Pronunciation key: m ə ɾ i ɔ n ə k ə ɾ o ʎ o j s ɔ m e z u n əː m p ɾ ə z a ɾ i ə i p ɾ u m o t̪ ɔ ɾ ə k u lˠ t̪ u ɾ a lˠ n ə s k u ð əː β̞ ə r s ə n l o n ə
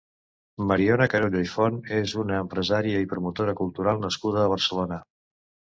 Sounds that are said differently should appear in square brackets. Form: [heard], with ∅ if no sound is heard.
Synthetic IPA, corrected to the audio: m ə ɾ i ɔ n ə k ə ɾ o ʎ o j [f] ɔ [n] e z u n əː m p ɾ ə z a ɾ i ə i p ɾ u m [u] t̪ [o] ɾ ə k u lˠ t̪ u ɾ a lˠ n ə s k u ð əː β̞ ə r s ə [∅] l o n ə